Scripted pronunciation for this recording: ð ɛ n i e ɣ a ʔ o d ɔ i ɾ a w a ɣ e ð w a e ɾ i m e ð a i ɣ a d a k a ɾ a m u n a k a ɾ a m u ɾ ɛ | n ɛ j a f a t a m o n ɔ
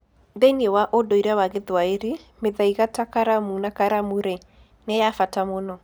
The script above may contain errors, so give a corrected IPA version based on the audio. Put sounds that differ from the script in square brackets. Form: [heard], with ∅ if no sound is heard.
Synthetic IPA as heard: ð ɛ n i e [w] a ʔ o d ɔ i ɾ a w a ɣ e ð w a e ɾ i m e ð a i ɣ a [t] a k a ɾ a m u n a k a ɾ a m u ɾ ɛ | n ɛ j a f a t a m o n ɔ